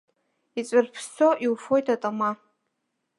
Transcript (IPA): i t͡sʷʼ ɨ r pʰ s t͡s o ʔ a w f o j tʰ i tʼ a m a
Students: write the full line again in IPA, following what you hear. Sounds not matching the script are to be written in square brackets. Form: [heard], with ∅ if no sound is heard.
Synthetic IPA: i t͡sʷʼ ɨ r pʰ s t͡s o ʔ [i] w f o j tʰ [a] tʼ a m a